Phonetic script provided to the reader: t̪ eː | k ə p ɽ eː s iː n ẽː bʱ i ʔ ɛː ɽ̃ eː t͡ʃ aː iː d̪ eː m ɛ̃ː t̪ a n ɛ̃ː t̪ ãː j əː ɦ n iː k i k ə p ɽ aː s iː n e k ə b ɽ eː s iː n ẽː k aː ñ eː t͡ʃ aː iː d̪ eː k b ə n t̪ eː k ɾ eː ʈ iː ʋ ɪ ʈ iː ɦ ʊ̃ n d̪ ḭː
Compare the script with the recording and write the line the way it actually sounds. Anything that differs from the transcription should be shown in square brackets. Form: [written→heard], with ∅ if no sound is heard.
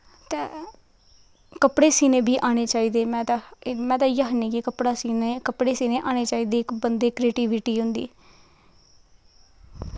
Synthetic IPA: t̪ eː | k ə p ɽ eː s iː n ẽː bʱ [i→iː] ʔ [ɛː→aː] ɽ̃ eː t͡ʃ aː iː d̪ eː m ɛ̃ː t̪ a [n→m] ɛ̃ː t̪ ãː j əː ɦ n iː k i k ə p ɽ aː s iː n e k ə [b→p] ɽ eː s iː n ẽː [k→ʔ] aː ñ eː t͡ʃ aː iː d̪ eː k b ə n [t̪→d̪] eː k ɾ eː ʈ iː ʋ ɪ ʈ iː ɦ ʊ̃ n d̪ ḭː